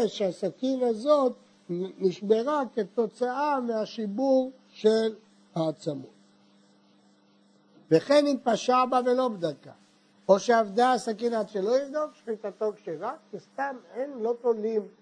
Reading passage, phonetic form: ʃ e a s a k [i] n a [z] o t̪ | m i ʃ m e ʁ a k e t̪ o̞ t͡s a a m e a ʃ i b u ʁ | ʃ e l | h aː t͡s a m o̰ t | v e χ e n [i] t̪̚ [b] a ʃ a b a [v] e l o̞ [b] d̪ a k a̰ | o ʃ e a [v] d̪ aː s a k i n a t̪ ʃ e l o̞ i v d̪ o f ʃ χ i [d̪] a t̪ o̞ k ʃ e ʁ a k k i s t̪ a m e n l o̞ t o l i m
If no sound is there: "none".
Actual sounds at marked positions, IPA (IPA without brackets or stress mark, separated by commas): i, z, i, p, v, b, v, t̪